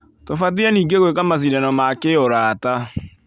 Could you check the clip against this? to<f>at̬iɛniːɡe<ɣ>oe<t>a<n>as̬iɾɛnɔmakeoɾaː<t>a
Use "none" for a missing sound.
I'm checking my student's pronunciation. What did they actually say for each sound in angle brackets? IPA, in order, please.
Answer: f, ɣ, k, m, t

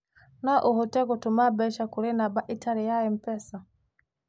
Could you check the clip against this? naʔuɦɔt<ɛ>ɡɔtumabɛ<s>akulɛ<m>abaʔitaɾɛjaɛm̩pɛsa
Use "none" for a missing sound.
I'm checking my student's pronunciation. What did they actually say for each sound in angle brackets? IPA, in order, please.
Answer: ɛ, ʃ, n

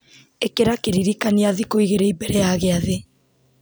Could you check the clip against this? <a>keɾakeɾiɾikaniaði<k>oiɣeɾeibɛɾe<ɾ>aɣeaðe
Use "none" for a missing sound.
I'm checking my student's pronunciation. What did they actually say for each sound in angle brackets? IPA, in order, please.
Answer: e, k, none

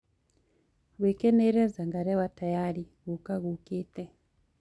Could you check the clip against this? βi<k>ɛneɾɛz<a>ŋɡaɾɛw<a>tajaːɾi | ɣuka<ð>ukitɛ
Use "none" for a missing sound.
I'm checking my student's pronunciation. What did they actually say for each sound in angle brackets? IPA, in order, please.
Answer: k, a, a, ɣ

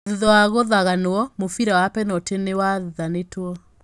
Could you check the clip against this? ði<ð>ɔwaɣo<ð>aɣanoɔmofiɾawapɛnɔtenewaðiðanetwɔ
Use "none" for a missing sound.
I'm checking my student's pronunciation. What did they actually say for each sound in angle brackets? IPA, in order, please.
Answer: ð, ð

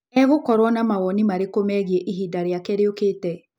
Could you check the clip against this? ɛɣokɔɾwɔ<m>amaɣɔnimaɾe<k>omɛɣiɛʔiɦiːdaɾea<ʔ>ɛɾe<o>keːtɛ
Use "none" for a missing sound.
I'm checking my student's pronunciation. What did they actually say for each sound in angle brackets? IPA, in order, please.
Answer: n, k, k, o

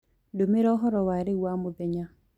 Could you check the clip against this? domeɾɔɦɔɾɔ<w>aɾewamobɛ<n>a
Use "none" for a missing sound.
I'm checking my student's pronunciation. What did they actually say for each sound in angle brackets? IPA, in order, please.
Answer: w, ɲ

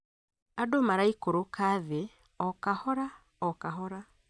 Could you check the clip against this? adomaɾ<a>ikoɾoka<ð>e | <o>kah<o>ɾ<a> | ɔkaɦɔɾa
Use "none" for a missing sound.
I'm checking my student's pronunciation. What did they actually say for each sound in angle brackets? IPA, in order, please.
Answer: a, ð, ɔ, ɔ, a

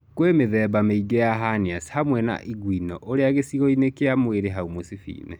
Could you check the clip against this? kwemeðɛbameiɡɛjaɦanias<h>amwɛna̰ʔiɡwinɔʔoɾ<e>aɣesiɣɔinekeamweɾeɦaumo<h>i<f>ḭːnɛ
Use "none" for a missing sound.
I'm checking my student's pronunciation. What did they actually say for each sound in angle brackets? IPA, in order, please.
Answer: h, e, s, f

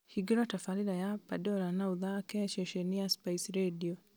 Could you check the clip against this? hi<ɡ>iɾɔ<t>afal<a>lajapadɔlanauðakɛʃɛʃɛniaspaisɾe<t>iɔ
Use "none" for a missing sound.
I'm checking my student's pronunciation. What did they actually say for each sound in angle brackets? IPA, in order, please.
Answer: ɡ, t, i, d

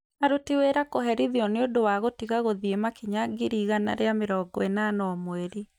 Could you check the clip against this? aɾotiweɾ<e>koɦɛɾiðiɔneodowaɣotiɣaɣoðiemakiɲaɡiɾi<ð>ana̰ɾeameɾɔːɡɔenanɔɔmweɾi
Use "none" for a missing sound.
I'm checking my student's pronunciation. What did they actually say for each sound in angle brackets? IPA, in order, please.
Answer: a, ɣ

